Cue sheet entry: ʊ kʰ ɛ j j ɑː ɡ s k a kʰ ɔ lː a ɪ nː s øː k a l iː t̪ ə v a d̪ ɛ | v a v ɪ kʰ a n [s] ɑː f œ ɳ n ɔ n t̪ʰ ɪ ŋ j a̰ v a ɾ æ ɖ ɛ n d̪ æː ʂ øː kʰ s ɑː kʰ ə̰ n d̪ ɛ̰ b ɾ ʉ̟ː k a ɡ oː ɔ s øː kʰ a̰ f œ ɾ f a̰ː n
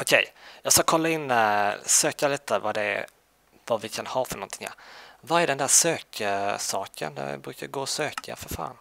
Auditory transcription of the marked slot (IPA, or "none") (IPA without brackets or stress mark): h